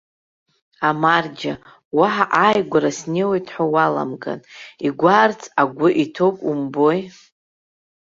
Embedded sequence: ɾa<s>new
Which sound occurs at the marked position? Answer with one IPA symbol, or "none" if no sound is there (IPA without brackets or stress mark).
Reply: s